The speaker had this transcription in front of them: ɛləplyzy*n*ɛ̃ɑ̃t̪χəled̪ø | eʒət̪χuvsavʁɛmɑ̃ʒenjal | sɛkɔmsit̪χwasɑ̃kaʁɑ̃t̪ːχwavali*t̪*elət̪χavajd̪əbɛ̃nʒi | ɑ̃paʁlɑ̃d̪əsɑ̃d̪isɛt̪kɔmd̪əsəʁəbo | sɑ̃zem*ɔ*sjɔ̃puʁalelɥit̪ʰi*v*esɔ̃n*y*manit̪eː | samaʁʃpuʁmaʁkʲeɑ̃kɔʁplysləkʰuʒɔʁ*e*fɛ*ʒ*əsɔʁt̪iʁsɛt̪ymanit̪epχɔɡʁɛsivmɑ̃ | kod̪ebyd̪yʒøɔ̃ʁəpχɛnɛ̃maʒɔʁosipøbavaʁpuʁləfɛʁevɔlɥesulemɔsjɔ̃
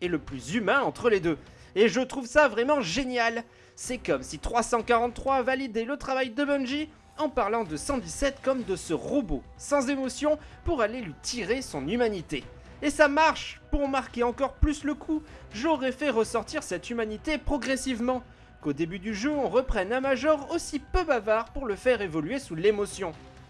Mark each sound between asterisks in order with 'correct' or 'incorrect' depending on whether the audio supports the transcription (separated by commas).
incorrect, incorrect, correct, incorrect, correct, incorrect, incorrect